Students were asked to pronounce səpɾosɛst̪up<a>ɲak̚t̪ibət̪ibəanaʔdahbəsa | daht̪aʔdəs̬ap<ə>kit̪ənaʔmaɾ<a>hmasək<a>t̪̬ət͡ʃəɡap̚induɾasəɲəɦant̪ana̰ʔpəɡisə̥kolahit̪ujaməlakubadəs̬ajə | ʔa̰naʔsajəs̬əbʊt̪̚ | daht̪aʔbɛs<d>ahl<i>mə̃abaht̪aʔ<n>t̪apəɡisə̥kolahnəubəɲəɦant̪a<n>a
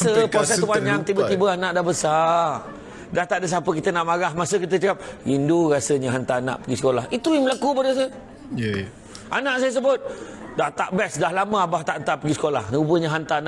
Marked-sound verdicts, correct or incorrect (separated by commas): correct, correct, correct, incorrect, correct, incorrect, correct, correct